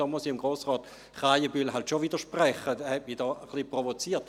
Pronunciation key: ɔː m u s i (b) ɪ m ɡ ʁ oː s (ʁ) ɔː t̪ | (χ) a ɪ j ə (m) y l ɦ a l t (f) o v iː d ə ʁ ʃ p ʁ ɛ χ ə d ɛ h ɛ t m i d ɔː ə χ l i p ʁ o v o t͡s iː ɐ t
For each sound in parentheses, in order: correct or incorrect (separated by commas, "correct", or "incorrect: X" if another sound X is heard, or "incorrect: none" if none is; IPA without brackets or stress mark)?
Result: incorrect: none, correct, correct, incorrect: b, incorrect: ʃ